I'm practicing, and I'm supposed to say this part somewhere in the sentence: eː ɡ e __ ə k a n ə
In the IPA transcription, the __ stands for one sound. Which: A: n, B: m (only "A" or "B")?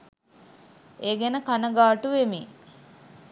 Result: A